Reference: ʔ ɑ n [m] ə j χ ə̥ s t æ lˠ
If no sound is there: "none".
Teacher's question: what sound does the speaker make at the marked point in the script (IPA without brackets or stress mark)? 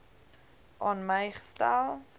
m